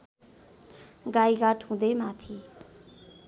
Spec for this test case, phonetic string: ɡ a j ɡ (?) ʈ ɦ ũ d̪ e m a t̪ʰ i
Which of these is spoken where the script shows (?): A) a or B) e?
A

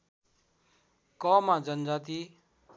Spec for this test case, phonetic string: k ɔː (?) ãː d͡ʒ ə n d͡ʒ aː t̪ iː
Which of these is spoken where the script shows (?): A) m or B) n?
A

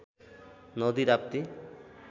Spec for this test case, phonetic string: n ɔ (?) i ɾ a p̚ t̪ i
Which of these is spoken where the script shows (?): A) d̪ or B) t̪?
A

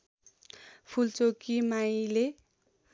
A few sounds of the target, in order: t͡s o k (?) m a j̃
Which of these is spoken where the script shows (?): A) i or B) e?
A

